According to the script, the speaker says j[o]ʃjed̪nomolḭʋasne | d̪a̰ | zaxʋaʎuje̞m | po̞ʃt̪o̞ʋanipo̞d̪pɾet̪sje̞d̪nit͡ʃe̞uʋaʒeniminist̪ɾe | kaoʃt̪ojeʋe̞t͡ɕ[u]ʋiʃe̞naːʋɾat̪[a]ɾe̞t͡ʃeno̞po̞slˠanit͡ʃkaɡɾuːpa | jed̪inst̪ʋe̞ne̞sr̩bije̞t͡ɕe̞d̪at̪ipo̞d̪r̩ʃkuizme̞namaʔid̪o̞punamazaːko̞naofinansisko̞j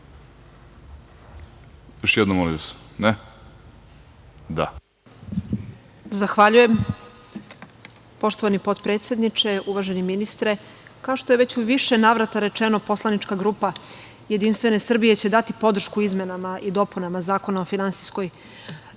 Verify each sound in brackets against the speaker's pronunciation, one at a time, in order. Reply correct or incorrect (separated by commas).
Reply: correct, correct, correct